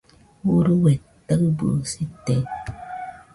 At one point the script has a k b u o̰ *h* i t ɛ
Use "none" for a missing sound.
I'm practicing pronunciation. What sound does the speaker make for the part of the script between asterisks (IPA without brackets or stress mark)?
s